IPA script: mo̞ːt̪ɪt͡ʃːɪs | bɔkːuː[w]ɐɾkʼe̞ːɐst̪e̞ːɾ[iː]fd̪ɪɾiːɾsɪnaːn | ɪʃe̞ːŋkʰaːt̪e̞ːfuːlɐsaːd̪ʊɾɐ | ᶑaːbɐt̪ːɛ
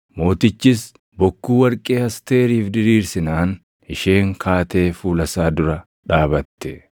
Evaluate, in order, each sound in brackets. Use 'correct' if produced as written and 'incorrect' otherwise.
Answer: correct, correct

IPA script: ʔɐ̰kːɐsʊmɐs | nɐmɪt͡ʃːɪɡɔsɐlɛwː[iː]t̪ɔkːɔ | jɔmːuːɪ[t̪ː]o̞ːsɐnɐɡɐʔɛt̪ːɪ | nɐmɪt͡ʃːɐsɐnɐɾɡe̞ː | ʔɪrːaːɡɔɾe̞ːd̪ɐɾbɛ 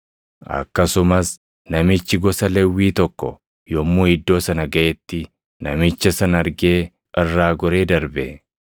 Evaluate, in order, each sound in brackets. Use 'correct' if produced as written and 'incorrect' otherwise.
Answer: correct, incorrect

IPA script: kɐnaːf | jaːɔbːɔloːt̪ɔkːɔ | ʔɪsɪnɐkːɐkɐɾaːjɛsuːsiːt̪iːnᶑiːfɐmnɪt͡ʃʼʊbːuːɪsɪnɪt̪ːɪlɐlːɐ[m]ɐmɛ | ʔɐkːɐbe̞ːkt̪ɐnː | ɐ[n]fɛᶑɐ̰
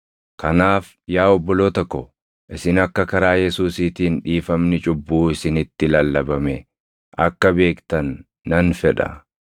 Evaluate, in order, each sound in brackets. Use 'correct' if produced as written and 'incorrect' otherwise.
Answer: incorrect, correct

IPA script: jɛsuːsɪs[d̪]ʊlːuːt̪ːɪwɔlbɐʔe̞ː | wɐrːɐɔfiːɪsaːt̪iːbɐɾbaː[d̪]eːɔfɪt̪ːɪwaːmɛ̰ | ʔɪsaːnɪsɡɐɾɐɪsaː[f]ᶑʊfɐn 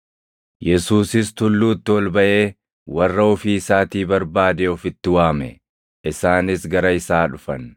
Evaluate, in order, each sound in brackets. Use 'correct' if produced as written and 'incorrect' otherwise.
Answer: incorrect, correct, incorrect

